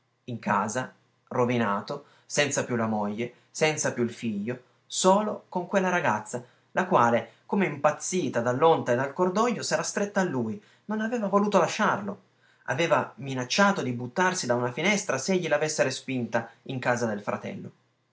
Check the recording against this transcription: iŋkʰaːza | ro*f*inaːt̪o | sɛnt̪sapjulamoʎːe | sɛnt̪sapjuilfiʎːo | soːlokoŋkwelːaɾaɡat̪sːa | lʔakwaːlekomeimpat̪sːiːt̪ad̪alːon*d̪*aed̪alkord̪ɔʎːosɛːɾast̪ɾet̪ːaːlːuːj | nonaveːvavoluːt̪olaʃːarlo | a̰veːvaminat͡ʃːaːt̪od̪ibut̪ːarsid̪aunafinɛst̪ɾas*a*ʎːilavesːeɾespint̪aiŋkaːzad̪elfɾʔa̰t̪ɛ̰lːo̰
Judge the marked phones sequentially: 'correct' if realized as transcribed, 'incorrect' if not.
incorrect, incorrect, incorrect

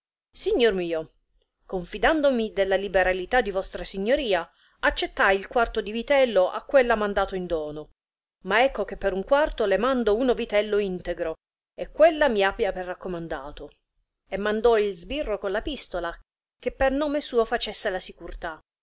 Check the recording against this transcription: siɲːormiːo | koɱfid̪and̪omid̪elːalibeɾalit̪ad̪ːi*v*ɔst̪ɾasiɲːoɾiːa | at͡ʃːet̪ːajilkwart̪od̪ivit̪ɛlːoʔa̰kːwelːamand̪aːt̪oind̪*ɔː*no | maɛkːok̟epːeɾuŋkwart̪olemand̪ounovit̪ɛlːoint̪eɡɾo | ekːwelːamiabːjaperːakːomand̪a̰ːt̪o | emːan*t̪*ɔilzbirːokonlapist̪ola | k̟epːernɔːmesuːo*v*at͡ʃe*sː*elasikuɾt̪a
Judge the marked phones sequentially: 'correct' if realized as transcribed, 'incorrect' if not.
correct, correct, incorrect, incorrect, correct

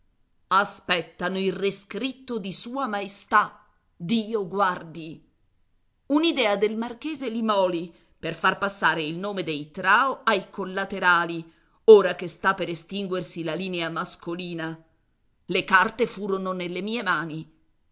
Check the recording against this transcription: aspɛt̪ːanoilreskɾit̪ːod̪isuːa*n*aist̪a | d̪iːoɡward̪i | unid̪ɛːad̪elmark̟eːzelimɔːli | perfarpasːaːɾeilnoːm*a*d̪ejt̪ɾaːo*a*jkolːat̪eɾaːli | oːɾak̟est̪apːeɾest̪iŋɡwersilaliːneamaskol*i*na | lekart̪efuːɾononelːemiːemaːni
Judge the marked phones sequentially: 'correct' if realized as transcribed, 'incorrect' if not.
incorrect, incorrect, correct, incorrect

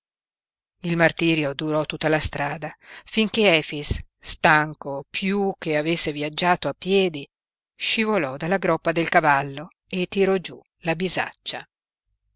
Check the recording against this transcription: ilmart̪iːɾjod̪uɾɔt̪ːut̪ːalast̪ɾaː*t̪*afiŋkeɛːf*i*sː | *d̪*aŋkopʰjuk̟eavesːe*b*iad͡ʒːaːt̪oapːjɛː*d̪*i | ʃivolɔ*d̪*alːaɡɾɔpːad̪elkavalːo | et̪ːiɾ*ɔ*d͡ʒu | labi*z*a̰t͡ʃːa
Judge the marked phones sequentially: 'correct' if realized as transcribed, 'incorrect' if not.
incorrect, correct, incorrect, incorrect, correct, correct, correct, correct

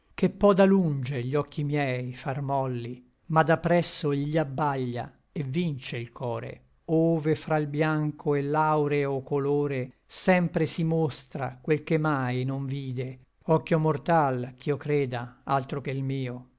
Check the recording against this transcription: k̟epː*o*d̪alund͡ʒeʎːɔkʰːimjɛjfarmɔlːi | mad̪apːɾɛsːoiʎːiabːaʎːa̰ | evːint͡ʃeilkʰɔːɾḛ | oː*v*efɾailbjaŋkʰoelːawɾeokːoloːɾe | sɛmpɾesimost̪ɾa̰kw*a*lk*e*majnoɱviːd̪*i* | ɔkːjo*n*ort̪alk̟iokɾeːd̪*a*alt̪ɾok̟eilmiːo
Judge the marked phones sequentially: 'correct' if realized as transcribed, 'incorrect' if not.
incorrect, correct, incorrect, correct, incorrect, incorrect, correct

